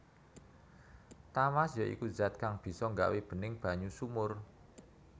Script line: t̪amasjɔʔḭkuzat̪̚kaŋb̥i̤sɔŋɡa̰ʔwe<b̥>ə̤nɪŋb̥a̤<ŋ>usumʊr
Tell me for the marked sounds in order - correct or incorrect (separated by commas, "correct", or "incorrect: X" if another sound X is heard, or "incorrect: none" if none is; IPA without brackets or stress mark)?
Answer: correct, incorrect: ɲ